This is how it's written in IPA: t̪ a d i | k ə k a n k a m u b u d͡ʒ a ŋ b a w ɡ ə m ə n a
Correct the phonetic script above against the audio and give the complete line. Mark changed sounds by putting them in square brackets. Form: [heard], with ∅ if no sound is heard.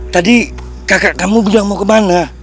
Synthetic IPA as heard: t̪ a d i | k [a] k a [∅] k a m u b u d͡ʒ a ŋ [m] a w [k] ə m [a] n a